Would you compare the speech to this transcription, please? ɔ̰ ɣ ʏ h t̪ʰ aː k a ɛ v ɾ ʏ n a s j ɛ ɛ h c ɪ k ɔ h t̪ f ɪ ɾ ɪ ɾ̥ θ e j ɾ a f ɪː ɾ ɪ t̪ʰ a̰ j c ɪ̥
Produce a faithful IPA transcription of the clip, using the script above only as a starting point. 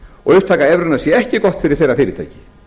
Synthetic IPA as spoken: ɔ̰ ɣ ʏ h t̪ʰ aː k a ɛ v ɾ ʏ n a s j ɛ ɛ h c ɪ k ɔ h t̪ f ɪ ɾ ɪ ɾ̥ θ e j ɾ a f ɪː ɾ ɪ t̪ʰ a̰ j c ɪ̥